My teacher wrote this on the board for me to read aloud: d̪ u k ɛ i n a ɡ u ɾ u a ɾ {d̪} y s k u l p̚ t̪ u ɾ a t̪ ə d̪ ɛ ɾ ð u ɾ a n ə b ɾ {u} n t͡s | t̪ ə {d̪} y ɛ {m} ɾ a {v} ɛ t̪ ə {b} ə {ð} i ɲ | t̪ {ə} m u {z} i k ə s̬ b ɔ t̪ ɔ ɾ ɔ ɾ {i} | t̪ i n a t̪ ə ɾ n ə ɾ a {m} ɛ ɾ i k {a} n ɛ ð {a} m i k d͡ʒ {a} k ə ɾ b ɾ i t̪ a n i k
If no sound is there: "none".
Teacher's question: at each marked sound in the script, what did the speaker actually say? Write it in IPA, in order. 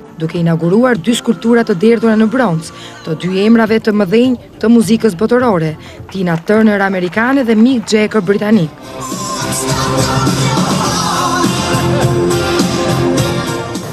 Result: d̪, ɔ, d̪, m, v, m, ð, ə, z, ɛ, m, a, ɛ, ɛ

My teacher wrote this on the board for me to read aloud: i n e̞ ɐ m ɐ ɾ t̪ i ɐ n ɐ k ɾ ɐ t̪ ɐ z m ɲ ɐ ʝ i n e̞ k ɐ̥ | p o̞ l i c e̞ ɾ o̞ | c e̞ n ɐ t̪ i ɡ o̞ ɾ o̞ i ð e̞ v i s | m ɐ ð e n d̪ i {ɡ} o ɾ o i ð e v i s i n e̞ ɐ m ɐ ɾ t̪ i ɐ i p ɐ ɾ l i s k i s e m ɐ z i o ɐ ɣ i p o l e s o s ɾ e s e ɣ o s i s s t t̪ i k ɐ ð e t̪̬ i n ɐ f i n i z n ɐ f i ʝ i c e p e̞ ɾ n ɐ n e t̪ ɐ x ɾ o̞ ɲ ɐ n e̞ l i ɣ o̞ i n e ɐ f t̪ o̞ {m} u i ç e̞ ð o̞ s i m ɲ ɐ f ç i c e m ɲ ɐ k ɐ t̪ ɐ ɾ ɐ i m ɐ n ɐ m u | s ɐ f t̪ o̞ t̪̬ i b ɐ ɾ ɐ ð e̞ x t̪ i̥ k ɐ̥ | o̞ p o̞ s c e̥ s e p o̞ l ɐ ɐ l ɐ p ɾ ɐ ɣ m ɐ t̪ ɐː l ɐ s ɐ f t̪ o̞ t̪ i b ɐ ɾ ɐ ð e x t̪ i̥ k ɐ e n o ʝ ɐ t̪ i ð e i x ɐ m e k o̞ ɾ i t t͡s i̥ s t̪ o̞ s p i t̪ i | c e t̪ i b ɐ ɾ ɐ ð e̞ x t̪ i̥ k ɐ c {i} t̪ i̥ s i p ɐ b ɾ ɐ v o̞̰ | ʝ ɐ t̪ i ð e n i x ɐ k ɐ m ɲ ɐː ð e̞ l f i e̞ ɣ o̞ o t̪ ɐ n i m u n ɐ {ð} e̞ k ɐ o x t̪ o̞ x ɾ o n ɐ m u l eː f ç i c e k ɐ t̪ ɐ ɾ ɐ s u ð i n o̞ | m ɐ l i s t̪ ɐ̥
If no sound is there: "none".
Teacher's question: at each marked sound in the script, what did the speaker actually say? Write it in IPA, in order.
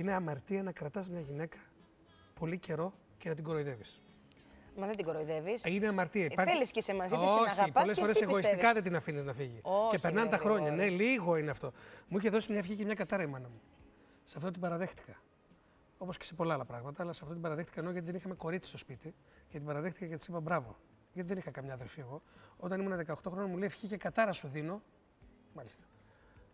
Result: ɡ, m, e, ð

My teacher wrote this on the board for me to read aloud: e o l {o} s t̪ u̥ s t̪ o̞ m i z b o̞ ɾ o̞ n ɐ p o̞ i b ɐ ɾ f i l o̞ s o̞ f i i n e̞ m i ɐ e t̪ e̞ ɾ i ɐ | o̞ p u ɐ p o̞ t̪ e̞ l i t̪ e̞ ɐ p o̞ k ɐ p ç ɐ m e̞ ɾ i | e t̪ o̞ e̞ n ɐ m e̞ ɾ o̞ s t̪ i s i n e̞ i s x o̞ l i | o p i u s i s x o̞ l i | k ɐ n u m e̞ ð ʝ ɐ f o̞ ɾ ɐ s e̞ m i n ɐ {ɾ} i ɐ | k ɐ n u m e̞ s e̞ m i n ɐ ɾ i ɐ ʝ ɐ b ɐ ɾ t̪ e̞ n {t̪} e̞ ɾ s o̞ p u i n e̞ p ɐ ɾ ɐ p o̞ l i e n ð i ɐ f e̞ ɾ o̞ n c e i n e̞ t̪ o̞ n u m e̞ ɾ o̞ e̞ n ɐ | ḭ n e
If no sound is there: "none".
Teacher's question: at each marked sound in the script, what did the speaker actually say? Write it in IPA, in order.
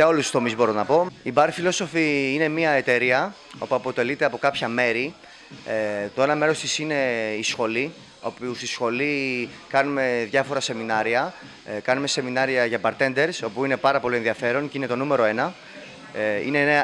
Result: u, ɾ, d̪

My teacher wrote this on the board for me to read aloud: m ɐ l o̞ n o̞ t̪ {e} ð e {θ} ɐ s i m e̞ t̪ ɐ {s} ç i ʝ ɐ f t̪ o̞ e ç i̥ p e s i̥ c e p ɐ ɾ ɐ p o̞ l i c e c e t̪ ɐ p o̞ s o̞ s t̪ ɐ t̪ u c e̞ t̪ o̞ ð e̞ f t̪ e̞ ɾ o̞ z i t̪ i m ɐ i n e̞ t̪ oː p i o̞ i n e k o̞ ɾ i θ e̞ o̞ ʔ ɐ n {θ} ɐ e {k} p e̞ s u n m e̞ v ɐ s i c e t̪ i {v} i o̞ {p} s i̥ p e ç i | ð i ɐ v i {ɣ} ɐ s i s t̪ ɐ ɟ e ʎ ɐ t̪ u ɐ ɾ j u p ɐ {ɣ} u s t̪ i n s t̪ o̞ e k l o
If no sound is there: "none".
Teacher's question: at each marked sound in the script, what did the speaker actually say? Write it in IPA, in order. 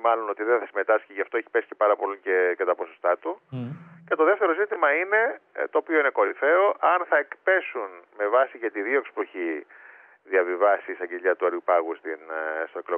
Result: i, θ, s, θ, k, ð, k, v, ɣ

